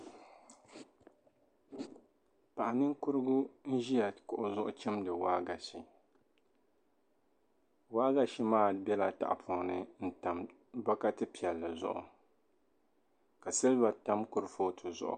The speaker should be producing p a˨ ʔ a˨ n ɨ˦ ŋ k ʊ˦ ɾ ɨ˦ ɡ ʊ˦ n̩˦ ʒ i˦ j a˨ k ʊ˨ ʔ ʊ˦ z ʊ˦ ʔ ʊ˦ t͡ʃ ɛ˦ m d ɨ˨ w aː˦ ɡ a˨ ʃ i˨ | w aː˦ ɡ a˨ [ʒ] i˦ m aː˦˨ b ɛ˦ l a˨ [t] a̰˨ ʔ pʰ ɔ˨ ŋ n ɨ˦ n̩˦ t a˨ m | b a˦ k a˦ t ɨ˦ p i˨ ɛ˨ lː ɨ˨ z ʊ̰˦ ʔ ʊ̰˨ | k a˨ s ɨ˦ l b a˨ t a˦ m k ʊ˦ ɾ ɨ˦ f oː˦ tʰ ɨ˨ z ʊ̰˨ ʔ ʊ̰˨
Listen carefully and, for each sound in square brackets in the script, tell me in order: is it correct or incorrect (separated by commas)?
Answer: incorrect, correct